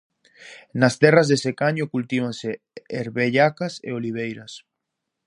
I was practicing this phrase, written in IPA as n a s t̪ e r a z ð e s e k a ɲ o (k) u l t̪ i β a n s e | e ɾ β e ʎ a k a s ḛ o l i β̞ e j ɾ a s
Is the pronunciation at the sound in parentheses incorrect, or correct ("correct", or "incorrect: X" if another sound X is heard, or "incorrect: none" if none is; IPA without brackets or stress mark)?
correct